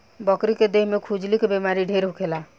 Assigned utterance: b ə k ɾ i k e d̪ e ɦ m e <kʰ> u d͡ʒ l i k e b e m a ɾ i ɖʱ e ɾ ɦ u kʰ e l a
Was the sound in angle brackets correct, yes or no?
yes